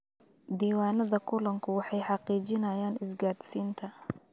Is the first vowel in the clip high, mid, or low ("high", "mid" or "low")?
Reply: high